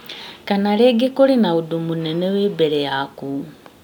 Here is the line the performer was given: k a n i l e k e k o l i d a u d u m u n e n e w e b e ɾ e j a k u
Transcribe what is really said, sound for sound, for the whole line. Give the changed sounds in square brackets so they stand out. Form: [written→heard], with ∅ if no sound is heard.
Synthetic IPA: k a n [i→a] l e [k→ɡ] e k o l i [d→n] a u d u m u n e n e w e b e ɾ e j a k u